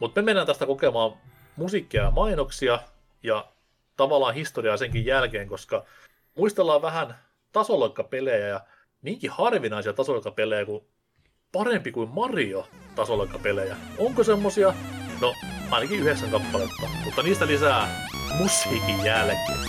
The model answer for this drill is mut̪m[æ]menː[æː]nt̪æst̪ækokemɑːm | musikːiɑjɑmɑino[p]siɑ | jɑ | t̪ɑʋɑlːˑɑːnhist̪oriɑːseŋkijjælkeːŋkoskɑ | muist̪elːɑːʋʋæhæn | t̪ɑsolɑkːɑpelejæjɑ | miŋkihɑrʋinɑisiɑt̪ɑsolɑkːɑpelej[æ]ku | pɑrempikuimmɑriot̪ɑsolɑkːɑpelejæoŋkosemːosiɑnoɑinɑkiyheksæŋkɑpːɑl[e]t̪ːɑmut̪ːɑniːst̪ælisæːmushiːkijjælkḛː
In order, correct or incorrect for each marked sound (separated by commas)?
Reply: incorrect, incorrect, incorrect, correct, correct